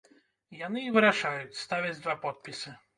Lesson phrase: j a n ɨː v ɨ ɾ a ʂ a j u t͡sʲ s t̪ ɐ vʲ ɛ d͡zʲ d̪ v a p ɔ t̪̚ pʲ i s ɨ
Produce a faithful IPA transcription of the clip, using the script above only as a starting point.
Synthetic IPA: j a n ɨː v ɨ ɾ a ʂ a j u t͡sʲ s t̪ a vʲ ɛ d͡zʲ d̪ v a p ɔ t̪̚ pʲ i s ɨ